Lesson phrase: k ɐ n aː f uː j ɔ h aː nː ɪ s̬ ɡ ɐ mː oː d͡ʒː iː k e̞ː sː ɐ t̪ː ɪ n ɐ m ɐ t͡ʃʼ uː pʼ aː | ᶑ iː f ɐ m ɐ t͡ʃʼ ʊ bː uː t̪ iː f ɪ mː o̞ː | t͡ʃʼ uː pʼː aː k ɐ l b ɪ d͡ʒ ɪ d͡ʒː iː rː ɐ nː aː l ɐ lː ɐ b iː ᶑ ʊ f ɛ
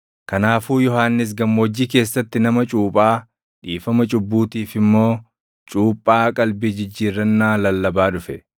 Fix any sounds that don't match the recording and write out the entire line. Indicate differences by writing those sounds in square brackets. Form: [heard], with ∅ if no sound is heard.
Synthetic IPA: k ɐ n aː f uː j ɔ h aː nː ɪ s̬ ɡ ɐ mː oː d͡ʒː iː k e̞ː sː ɐ t̪ː ɪ n ɐ m ɐ t͡ʃʼ uː pʼ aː | ᶑ iː f ɐ m ɐ t͡ʃʼ ʊ bː uː t̪ iː f ɪ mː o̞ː | t͡ʃʼ uː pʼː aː [kʼ] ɐ l b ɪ d͡ʒ ɪ d͡ʒː iː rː ɐ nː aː l ɐ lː ɐ b [aː] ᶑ ʊ f ɛ

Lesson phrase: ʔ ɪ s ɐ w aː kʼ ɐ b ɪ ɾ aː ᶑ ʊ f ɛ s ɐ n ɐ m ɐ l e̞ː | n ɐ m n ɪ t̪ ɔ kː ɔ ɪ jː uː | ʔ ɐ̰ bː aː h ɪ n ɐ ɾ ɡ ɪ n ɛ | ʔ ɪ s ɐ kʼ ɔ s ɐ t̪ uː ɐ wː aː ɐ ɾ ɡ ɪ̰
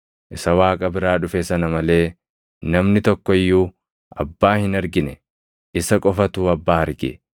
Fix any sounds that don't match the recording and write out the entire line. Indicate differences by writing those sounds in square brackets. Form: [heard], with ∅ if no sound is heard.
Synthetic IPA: ʔ ɪ s ɐ w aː kʼ ɐ b ɪ ɾ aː ᶑ ʊ f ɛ s ɐ n ɐ m ɐ l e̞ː | n ɐ m n ɪ t̪ ɔ kː ɔ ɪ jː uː | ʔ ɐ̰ bː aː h ɪ n ɐ ɾ ɡ ɪ n ɛ | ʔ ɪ s ɐ kʼ ɔ [f] ɐ t̪ uː ɐ [bː] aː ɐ ɾ ɡ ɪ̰

